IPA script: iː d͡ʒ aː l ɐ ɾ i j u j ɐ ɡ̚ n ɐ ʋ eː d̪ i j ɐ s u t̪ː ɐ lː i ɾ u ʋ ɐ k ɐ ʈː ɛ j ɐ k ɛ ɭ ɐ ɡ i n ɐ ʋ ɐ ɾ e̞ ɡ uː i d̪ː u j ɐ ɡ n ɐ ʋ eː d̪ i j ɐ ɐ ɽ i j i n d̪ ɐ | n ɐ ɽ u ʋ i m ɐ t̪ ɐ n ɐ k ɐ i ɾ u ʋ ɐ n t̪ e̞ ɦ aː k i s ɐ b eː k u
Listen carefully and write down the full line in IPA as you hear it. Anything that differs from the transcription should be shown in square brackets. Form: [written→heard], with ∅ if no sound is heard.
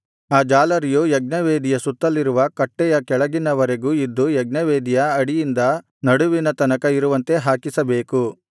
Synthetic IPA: [iː→aː] d͡ʒ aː l ɐ ɾ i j u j ɐ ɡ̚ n ɐ ʋ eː d̪ i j ɐ s u t̪ː ɐ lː i ɾ u ʋ ɐ k ɐ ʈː ɛ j ɐ k ɛ ɭ ɐ ɡ i n ɐ ʋ ɐ ɾ e̞ ɡ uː i d̪ː u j ɐ ɡ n ɐ ʋ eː d̪ i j ɐ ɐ ɽ i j i n d̪ ɐ | n ɐ ɽ u ʋ i [m→n] ɐ t̪ ɐ n ɐ k ɐ i ɾ u ʋ ɐ n t̪ e̞ ɦ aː k i s ɐ b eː k u

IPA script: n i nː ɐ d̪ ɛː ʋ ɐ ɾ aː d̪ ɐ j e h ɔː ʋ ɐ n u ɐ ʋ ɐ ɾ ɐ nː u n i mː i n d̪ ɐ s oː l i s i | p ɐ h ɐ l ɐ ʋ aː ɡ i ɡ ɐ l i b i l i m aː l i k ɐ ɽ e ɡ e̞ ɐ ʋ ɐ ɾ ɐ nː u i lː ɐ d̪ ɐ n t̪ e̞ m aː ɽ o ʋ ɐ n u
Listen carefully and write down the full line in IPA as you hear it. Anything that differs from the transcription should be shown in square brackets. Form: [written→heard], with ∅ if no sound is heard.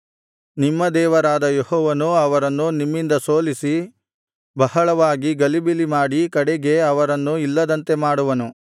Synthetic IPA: n i [nː→mː] ɐ d̪ ɛː ʋ ɐ ɾ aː d̪ ɐ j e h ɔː ʋ ɐ n u ɐ ʋ ɐ ɾ ɐ nː u n i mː i n d̪ ɐ s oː l i s i | [p→b] ɐ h ɐ [l→ɭ] ɐ ʋ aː ɡ i ɡ ɐ l i b i l i m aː [l→ɽ] i k ɐ ɽ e ɡ e̞ ɐ ʋ ɐ ɾ ɐ nː u i lː ɐ d̪ ɐ n t̪ e̞ m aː ɽ [o→u] ʋ ɐ n u

